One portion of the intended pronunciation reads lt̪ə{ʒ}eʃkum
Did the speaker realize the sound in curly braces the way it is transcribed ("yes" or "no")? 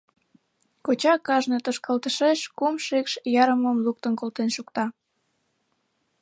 no